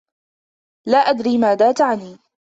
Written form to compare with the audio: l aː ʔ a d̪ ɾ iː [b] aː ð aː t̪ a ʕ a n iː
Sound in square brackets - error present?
yes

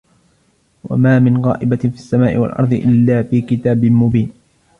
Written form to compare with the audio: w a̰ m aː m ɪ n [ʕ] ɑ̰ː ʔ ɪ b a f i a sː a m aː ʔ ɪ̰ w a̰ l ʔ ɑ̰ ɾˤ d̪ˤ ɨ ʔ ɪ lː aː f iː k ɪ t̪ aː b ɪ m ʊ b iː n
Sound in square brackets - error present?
yes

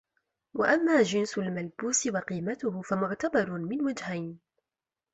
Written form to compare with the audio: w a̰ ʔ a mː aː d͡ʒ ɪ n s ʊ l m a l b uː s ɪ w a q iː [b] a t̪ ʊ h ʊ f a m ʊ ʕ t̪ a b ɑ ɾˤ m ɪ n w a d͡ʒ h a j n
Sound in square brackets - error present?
yes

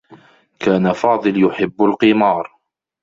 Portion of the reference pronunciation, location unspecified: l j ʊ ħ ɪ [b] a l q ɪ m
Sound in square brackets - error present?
yes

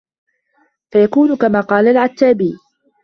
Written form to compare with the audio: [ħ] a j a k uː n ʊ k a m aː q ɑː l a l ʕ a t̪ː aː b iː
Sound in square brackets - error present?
yes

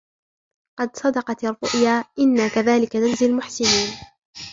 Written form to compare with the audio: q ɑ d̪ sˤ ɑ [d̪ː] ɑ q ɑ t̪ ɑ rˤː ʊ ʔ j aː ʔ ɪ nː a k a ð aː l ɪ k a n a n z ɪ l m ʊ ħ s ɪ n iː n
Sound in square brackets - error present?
yes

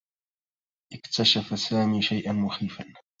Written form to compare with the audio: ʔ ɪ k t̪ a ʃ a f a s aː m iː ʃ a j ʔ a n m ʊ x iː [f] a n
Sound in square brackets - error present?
no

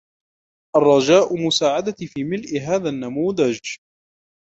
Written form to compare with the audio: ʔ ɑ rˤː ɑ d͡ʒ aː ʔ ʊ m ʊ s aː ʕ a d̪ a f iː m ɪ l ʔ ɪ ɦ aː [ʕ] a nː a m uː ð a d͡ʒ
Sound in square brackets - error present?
yes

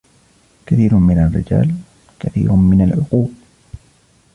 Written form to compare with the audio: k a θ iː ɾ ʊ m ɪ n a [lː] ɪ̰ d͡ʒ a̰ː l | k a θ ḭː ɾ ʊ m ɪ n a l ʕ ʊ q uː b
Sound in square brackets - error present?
yes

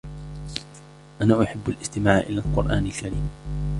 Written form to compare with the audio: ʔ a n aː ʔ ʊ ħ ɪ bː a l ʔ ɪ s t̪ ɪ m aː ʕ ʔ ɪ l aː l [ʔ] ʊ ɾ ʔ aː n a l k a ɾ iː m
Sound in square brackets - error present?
yes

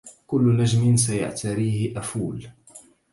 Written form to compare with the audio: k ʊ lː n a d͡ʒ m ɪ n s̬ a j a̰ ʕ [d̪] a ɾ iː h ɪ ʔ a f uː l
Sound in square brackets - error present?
yes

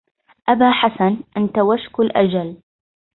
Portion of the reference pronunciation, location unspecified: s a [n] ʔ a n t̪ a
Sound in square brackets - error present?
no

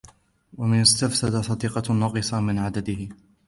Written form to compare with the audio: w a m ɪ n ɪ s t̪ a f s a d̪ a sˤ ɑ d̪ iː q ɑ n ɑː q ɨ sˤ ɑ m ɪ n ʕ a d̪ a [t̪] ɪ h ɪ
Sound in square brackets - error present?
yes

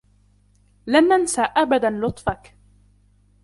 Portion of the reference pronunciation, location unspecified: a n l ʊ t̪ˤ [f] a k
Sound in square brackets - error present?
no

